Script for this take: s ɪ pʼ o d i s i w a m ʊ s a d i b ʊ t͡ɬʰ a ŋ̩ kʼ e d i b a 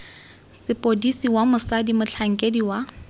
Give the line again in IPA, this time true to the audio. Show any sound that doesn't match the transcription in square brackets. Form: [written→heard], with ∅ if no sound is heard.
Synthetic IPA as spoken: s ɪ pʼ o d i s i w a m ʊ s a d i [b→m] ʊ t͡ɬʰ a ŋ̩ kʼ e d i [b→w] a

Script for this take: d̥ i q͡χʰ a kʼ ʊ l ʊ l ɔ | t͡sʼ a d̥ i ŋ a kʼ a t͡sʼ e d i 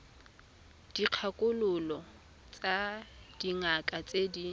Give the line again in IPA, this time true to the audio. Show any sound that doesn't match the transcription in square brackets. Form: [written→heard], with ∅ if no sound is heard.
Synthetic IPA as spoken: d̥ i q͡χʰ a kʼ ʊ l ʊ l ɔ | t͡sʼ a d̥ i ŋ a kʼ a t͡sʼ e d i

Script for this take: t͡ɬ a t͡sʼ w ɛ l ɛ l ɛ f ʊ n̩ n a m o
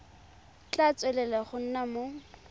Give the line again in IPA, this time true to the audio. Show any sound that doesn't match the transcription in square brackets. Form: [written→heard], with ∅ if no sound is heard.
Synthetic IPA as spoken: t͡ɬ a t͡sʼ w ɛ l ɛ l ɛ [f→χ] ʊ n̩ n a m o

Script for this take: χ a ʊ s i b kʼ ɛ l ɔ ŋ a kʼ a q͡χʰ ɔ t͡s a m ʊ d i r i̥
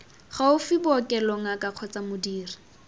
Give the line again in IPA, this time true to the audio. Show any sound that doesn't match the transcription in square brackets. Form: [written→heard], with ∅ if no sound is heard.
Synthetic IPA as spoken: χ a ʊ [s→f] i b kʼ ɛ l ɔ ŋ a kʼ a q͡χʰ ɔ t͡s a m ʊ d [i→iː] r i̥

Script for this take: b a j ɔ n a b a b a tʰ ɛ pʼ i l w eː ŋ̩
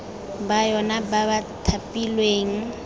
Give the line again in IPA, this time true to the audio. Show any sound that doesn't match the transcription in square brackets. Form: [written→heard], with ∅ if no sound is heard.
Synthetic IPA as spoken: b a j ɔ n a b a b a tʰ [ɛ→a] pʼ i l w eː ŋ̩

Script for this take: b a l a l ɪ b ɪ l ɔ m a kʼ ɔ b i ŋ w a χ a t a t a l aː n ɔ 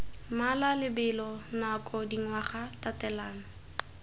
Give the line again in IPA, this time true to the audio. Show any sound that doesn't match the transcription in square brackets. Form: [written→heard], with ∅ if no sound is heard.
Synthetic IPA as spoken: [b→m] a l a l ɪ b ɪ l ɔ [m→n] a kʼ ɔ [b→d] i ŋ w a χ a t a t [a→ɛ] l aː n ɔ

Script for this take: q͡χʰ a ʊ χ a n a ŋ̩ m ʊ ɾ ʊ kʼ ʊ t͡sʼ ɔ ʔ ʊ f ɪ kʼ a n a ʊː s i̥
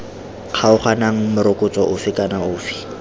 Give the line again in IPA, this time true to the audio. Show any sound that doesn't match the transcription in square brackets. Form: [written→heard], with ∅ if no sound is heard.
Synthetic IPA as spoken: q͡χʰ a ʊ χ a n a ŋ̩ m ʊ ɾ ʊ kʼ ʊ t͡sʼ ɔ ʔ ʊ f ɪ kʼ a n a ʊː [s→f] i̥

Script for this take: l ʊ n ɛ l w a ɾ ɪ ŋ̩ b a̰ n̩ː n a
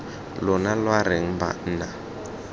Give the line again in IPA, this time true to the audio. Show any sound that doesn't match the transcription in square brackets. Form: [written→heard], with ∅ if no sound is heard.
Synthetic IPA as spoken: l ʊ n [ɛ→a] l w a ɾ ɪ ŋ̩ b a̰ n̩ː n a

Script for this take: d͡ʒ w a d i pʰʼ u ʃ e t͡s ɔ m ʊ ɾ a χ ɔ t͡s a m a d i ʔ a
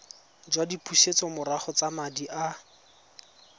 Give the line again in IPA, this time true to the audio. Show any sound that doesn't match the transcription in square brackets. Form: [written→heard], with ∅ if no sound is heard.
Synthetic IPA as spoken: d͡ʒ w a d i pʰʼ u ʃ e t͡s ɔ m ʊ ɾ a χ ɔ t͡s a m a d i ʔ a

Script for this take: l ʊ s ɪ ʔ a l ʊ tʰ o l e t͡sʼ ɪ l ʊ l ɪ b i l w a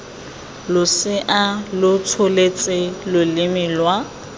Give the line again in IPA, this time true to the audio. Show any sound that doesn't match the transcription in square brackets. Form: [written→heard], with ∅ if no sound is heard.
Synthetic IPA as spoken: l ʊ s ɪ ʔ a l ʊ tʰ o l e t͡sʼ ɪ l ʊ l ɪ [b→m] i l w a

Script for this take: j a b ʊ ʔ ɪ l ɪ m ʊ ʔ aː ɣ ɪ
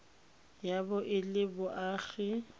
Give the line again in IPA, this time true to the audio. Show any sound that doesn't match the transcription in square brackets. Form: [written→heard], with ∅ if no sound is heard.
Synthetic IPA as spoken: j a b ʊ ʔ ɪ l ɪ [m→b] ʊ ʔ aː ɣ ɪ

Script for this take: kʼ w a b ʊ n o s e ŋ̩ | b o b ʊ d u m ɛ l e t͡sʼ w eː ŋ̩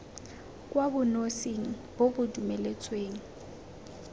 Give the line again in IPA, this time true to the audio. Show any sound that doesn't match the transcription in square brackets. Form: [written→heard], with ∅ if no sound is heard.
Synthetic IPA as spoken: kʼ w a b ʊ n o s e ŋ̩ | b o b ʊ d u m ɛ l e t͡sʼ w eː ŋ̩

